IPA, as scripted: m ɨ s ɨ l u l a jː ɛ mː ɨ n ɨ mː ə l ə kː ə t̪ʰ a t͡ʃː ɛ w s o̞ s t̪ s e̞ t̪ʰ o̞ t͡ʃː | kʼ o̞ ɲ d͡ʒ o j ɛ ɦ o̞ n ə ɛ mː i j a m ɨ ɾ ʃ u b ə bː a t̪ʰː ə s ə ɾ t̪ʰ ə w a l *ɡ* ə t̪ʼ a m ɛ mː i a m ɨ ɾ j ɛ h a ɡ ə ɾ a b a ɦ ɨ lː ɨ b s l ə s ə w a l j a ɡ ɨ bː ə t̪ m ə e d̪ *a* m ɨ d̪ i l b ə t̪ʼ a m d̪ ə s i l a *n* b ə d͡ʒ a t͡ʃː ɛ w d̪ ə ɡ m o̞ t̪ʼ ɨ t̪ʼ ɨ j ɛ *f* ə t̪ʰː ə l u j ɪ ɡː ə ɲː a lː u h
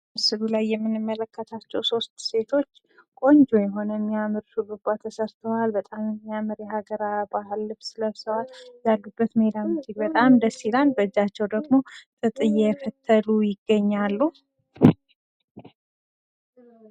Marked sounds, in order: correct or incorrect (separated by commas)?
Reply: incorrect, correct, correct, correct